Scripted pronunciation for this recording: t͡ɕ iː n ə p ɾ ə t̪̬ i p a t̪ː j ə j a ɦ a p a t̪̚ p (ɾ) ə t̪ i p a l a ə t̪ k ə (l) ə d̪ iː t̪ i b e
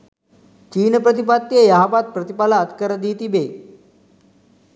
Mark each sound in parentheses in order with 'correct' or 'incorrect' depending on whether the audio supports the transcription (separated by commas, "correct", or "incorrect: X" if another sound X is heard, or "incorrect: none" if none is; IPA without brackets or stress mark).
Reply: correct, incorrect: ɾ